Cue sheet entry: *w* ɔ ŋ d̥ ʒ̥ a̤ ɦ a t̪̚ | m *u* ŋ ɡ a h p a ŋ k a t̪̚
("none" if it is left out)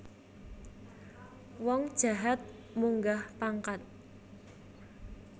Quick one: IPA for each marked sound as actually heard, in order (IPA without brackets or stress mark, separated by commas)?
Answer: w, u